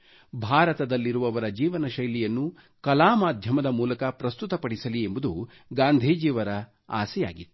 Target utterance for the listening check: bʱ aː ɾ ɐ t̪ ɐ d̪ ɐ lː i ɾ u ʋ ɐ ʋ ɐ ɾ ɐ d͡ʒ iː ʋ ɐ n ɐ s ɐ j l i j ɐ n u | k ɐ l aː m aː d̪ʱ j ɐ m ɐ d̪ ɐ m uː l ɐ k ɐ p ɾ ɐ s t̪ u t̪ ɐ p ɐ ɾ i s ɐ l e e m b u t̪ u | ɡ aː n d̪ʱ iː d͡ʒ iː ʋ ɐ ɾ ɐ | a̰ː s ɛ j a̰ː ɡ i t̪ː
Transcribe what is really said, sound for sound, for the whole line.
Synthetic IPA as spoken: bʱ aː ɾ ɐ t̪ ɐ d̪ ɐ lː i ɾ u ʋ ɐ ʋ ɐ ɾ ɐ d͡ʒ iː ʋ ɐ n ɐ ʃ ɐ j l i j ɐ nː u | k ɐ l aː m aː d̪ʱ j ɐ m ɐ d̪ ɐ m uː l ɐ k ɐ p ɾ ɐ s t̪ u t̪ ɐ p ɐ ɽ i s ɐ l i e m b u d̪ u | ɡ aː n d̪ʱ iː d͡ʒ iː ʋ ɐ ɾ ɐ | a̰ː s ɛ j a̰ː ɡ i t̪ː